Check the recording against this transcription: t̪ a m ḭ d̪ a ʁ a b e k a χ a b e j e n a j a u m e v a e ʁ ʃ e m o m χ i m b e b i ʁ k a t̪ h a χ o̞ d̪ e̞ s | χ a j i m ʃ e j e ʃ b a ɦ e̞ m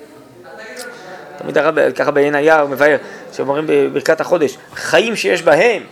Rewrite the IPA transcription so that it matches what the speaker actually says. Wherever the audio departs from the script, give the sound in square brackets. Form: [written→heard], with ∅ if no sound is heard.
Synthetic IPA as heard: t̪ a m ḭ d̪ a ʁ a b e k a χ a b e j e n a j a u m e v a e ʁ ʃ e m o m [χ→ʁ] i m b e b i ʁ k a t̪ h a χ o̞ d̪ e̞ [s→ʃ] | χ a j i m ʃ e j e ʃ b a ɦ e̞ m